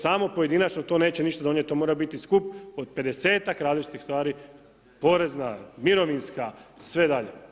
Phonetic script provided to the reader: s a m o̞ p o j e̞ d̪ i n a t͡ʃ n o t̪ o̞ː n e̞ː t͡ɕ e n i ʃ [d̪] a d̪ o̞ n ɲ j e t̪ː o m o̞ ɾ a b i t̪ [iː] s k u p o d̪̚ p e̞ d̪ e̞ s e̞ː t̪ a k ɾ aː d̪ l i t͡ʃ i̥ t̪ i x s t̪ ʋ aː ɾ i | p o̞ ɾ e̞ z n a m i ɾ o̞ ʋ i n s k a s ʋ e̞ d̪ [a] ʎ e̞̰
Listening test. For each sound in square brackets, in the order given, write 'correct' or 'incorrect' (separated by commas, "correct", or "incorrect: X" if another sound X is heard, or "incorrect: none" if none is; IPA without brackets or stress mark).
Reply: incorrect: t̪, incorrect: i, correct